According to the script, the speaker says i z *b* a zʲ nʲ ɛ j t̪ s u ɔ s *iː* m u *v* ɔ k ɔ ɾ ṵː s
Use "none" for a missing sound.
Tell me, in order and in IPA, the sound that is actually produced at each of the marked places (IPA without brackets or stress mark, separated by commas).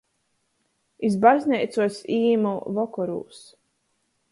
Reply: b, iː, v